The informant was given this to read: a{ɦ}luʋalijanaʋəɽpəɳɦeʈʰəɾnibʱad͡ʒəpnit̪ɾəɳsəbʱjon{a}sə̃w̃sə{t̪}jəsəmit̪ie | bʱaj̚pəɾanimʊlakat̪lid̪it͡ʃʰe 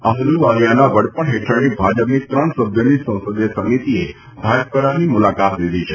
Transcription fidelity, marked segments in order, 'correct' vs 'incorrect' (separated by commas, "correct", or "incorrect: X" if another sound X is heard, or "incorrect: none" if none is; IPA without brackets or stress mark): correct, incorrect: i, incorrect: d̪